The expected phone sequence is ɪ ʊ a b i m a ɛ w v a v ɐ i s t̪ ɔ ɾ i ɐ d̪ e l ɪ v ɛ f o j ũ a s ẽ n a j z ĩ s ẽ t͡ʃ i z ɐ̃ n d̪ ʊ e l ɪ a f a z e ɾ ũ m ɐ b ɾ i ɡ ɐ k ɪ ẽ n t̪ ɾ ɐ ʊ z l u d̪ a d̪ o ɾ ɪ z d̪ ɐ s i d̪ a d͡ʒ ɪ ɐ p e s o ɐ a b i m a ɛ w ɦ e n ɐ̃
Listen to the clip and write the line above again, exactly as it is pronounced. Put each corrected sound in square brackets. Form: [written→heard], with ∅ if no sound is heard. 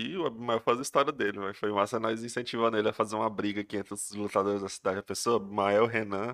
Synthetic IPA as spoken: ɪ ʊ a b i m a ɛ w [v→f] a [v→z] ɐ i s t̪ ɔ ɾ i ɐ d̪ e l ɪ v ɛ f o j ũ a s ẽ n a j z ĩ s ẽ t͡ʃ i [z→v] ɐ̃ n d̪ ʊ e l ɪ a f a z e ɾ ũ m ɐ b ɾ i ɡ ɐ k ɪ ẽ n t̪ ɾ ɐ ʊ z l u [d̪→t̪] a d̪ o ɾ ɪ z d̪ ɐ s i d̪ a d͡ʒ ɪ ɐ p e s o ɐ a b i m a ɛ w ɦ e n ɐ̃